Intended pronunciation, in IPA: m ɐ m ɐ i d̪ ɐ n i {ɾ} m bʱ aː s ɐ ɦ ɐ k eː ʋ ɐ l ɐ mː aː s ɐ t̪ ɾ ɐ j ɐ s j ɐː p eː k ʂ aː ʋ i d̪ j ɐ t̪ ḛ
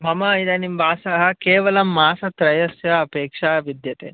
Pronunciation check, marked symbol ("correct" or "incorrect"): incorrect